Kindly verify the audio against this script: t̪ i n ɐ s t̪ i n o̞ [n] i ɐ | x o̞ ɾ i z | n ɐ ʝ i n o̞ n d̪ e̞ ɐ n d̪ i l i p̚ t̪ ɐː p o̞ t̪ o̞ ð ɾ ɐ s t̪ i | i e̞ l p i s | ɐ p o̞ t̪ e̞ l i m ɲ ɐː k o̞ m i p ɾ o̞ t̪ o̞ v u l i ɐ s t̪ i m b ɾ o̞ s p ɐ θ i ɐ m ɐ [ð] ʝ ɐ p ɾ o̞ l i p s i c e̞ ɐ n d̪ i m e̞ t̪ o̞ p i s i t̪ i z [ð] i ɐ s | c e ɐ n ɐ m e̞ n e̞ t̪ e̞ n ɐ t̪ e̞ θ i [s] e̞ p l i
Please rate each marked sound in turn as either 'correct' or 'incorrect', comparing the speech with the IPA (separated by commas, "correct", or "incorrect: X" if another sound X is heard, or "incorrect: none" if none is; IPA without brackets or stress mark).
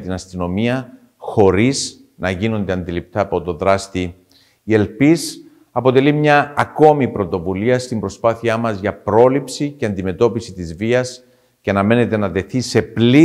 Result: incorrect: m, incorrect: z, incorrect: v, correct